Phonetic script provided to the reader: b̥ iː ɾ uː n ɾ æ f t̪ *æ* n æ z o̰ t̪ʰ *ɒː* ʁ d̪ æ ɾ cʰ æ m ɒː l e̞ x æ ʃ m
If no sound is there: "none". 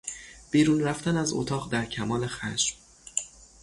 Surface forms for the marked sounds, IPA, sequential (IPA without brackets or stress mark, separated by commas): æ, ɒː